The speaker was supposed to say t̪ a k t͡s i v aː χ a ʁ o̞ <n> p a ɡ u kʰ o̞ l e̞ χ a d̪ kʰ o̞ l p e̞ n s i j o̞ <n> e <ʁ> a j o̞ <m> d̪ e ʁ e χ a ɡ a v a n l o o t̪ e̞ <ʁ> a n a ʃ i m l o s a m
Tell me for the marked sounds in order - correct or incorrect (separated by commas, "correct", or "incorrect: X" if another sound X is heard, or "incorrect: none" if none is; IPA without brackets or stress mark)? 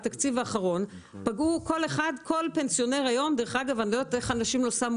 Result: correct, correct, correct, correct, incorrect: χ